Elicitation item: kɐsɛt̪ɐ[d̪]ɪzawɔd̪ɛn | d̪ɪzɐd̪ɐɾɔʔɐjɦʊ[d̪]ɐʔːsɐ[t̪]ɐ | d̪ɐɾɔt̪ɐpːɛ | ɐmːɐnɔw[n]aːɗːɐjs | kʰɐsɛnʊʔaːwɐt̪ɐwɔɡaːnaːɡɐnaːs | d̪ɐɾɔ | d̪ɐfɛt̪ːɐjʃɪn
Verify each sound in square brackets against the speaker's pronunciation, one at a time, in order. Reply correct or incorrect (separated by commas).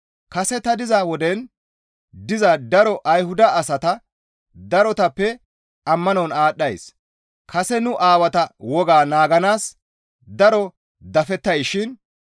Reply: correct, correct, correct, correct